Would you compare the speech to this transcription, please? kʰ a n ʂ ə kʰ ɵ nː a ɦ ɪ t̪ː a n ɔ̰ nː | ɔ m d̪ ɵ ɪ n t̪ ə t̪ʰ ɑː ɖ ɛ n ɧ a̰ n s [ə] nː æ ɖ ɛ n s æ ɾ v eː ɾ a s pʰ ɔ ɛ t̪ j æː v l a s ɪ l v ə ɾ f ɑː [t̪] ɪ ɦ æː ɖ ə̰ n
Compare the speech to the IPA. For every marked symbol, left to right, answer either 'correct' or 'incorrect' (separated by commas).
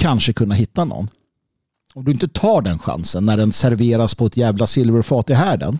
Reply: correct, correct